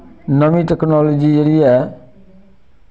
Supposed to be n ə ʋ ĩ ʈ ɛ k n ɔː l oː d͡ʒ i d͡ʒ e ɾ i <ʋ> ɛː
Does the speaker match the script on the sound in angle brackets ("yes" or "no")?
no